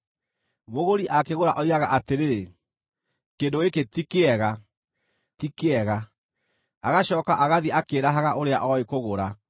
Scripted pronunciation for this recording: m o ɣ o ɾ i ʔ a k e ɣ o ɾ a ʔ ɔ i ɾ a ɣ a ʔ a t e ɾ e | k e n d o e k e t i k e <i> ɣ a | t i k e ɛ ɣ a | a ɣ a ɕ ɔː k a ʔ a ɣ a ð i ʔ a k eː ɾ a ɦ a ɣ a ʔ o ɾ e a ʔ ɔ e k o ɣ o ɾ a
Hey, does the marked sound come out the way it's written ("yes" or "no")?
no